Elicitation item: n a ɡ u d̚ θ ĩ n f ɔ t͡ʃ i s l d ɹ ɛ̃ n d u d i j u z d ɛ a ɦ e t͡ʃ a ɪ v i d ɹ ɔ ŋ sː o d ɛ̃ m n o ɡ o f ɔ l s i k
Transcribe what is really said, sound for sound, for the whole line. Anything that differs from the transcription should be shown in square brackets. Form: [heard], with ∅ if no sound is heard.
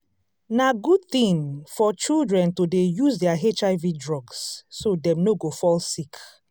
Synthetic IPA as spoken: n a ɡ u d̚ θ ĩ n f ɔ t͡ʃ i [∅] l d ɹ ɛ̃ n [t] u d [e] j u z d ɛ a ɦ e t͡ʃ a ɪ v i d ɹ ɔ [ɡ] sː o d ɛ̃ m n o ɡ o f ɔ l s i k

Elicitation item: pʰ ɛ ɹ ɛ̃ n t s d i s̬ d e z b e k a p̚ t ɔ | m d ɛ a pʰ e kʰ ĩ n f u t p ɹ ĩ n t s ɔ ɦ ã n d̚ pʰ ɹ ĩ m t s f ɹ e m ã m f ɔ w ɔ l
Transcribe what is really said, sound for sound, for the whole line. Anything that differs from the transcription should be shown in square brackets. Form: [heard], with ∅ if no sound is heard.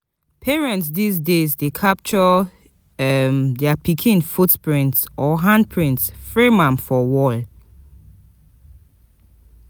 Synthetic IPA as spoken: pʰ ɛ ɹ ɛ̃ n t s d i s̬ d e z [d] e [kʰ] a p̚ [t͡ʃ] ɔ | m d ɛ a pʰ [i] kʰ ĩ n f u t p ɹ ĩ n t s ɔ ɦ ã n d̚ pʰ ɹ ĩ [n] t s f ɹ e m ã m f ɔ w ɔ l

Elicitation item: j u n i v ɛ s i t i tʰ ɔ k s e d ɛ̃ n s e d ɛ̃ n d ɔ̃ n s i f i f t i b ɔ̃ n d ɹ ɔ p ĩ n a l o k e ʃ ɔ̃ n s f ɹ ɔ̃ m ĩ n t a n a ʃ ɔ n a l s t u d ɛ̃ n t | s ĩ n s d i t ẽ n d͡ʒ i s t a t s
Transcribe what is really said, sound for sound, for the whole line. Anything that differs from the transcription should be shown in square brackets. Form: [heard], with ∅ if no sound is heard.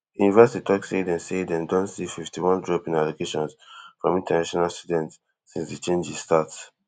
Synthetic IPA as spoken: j u n i v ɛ s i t i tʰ ɔ k s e d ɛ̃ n s e d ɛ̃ n d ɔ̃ n s i f i f t i [w] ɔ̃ n d ɹ ɔ p ĩ n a l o k e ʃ ɔ̃ n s f ɹ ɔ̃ m ĩ n t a n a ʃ ɔ n a l s t u d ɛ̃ n t | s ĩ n s d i [t͡ʃ] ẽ n d͡ʒ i s t a t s

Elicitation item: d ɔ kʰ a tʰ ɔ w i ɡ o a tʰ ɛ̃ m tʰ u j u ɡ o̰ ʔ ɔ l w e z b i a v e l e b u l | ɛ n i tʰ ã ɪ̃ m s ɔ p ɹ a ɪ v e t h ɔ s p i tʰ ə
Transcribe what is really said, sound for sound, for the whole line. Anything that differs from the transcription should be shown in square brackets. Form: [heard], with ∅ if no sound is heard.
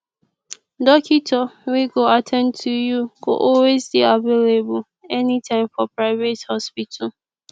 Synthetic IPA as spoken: d ɔ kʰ [i] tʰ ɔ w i ɡ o a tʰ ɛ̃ [n] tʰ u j u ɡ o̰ ʔ ɔ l w e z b i a v e l e b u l | ɛ n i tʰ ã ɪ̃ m [f] ɔ p ɹ a ɪ v e t h ɔ s p i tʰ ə

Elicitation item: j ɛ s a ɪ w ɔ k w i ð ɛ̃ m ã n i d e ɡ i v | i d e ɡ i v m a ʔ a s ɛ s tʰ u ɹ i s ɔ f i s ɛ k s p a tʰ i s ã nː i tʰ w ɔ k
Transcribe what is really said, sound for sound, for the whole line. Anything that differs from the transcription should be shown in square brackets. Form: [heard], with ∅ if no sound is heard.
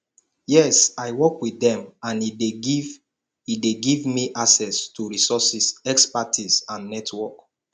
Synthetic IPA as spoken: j ɛ s a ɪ w ɔ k w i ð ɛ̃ m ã n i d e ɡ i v | i d e ɡ i v m [i] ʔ a s ɛ s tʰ u ɹ i s ɔ [s] i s ɛ k s p a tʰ i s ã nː [ɛ] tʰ w ɔ k

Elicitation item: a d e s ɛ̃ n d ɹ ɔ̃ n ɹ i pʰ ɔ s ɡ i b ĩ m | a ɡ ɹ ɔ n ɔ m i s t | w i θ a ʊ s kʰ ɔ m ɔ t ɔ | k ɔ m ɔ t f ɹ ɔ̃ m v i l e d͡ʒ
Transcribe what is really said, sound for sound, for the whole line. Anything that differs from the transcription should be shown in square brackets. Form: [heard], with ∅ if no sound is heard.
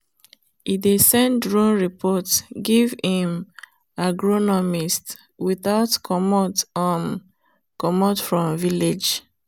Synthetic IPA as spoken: [i] d e s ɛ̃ n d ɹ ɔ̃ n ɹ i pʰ ɔ [t] ɡ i [v] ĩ m | a ɡ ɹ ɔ n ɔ m i s t | w i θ a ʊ [t] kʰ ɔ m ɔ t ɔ | k ɔ m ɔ t f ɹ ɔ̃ m v i l e d͡ʒ

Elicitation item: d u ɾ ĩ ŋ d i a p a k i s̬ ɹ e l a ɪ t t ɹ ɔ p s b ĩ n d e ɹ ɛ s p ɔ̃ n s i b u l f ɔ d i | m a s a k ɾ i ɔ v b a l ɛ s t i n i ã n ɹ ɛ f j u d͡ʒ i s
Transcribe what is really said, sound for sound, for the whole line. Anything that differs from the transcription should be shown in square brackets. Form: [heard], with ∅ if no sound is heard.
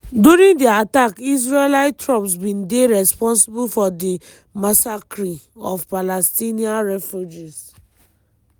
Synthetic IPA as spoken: d u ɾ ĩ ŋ d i a [t] a k i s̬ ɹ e l a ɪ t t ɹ ɔ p s b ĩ n d e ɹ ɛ s p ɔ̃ n s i b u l f ɔ d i | m a s a k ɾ i ɔ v [p] a l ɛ s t i n i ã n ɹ ɛ f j u d͡ʒ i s

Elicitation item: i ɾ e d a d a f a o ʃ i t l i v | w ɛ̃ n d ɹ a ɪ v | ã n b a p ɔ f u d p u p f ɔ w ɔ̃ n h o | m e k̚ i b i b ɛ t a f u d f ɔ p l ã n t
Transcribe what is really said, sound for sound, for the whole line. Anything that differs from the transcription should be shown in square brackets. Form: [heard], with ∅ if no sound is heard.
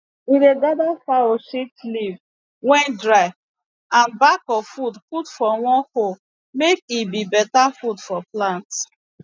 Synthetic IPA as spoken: i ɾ e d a d a f a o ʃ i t l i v | w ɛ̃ n d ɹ a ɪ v | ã n b a [k] ɔ f u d p u [t] f ɔ w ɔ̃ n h o | m e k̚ i b i b ɛ t a f u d f ɔ p l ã n t

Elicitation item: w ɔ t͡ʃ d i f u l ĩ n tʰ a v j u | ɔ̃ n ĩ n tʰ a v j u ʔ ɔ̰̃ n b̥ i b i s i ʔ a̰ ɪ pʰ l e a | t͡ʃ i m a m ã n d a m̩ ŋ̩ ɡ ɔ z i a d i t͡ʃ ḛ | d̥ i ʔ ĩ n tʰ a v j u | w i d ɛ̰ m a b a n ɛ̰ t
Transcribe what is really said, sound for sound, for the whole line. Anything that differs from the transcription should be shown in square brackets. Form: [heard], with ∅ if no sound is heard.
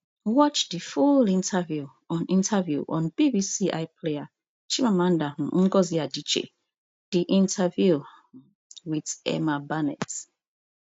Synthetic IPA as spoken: w ɔ t͡ʃ d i f u l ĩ n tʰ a v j u | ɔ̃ n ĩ n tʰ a v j u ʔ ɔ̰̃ n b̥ i b i s i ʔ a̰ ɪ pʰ l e a | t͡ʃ i m a m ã n d a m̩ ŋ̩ ɡ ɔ z i a d i t͡ʃ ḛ | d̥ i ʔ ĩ n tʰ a v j u | w i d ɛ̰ m a b a n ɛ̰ t

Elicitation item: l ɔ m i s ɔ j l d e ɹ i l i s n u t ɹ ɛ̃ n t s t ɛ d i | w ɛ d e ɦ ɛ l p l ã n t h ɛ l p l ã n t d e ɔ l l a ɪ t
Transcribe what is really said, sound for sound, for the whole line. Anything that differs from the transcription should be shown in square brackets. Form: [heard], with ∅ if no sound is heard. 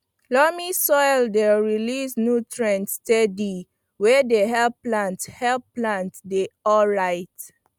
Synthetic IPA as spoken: l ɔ m i s ɔ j l d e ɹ i l i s n u t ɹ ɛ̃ n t s t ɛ d i | w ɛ d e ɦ ɛ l p l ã n t h ɛ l p l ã n t d e ɔ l [ɹ] a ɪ t

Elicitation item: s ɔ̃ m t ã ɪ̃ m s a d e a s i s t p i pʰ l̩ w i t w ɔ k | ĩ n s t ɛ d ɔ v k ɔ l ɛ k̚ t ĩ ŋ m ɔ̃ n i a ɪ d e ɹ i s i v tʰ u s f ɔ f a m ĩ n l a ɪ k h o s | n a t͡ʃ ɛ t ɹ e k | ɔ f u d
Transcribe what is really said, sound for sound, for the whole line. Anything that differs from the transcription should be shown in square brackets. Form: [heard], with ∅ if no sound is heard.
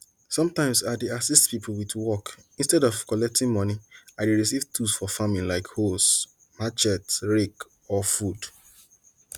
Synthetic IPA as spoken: s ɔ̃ m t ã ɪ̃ m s a d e a s i s t p i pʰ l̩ w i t w ɔ k | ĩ n s t ɛ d ɔ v k ɔ l ɛ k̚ t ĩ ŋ m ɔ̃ n i a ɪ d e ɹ i s i v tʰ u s f ɔ f a m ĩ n l a ɪ k h o s | [m] a t͡ʃ ɛ t ɹ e k | ɔ f u d

